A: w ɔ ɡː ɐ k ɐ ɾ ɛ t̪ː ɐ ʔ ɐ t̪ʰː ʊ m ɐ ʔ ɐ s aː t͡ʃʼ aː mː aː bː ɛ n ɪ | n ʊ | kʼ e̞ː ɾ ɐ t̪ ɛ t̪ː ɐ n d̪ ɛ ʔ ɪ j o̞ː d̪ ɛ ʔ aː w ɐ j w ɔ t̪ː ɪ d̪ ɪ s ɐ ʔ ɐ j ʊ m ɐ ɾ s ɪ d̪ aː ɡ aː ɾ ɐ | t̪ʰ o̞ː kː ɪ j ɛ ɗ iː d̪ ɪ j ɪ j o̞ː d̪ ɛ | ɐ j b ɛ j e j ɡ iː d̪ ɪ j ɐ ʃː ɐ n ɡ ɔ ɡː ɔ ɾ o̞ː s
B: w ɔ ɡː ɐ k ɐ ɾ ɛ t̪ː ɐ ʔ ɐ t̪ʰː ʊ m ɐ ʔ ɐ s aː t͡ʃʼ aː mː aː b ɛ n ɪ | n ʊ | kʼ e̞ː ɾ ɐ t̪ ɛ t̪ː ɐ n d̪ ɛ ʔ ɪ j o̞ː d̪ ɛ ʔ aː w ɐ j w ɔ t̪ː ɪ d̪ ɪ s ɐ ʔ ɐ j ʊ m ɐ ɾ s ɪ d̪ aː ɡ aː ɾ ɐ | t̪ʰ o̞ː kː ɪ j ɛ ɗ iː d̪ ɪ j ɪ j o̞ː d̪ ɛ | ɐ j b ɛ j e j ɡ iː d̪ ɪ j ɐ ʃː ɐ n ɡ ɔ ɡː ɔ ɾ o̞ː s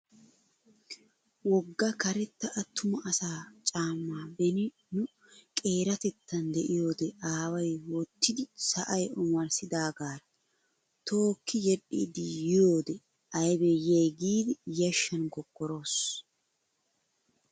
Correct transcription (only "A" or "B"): B